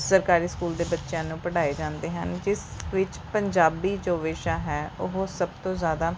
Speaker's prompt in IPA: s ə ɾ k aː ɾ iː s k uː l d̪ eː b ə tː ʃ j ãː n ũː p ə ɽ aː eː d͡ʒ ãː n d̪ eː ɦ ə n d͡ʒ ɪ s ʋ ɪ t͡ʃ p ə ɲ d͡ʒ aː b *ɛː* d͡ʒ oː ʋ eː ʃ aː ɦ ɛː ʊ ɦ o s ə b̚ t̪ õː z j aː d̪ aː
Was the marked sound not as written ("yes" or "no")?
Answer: yes